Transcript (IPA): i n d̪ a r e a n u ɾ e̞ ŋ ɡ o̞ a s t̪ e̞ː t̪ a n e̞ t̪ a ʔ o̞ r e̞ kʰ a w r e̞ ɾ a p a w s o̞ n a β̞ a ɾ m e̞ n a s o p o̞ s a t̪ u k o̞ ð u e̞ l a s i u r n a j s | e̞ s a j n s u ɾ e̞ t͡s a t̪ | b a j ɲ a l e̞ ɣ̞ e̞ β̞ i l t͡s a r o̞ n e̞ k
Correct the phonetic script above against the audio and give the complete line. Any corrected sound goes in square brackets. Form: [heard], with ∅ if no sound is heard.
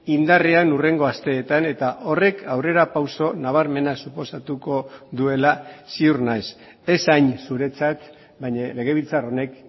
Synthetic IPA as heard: i n d̪ a r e a n u [r] e̞ ŋ ɡ o̞ a s t̪ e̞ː t̪ a n e̞ t̪ a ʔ o̞ r e̞ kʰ a w r e̞ ɾ a p a w s o̞ n a β̞ a ɾ m e̞ n a s [u] p o̞ s a t̪ u k o̞ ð u e̞ l a s i u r n a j s | e̞ s a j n s u ɾ e̞ t͡s a t̪ | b a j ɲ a l e̞ ɣ̞ e̞ β̞ i l t͡s a r o̞ n e̞ k